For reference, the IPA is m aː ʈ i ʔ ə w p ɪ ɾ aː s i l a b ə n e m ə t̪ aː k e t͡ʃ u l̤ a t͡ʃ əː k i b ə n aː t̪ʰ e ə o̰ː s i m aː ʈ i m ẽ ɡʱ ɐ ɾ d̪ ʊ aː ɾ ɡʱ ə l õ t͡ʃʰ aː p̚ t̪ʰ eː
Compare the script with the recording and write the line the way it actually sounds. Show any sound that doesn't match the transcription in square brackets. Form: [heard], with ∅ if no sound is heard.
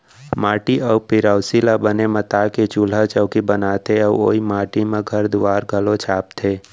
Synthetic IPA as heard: m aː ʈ i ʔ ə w p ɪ ɾ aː s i l a b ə n e m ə t̪ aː k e t͡ʃ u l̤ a t͡ʃ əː k i b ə n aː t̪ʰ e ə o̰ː [∅] i m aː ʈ i m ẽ ɡʱ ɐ ɾ d̪ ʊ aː ɾ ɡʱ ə l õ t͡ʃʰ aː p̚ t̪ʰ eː